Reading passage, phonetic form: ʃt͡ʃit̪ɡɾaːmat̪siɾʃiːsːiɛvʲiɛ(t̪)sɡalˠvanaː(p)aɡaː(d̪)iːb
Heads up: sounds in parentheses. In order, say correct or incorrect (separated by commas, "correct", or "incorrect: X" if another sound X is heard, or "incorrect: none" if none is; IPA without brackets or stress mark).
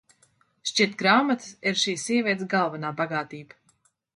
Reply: correct, incorrect: b, incorrect: t̪